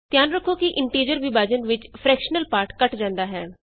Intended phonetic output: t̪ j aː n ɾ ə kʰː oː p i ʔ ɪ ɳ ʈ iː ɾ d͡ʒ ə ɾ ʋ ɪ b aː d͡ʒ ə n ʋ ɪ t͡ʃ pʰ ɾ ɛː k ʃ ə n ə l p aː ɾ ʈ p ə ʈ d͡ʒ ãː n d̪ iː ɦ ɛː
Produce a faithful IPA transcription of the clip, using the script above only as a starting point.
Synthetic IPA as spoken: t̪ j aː n ɾ ə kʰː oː k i ʔ ɪ ɳ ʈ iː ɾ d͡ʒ ə ɾ ʋ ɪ b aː d͡ʒ ə n ʋ ɪ t͡ʃ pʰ ɾ ɛː k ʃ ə n ə l p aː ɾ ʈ k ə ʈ d͡ʒ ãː n d̪ aː ɦ ɛː